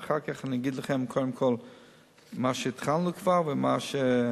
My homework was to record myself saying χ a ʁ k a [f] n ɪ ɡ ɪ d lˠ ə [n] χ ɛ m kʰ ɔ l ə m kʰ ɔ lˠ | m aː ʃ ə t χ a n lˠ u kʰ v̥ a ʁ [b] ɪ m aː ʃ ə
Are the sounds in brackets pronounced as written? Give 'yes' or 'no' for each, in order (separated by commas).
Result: no, no, no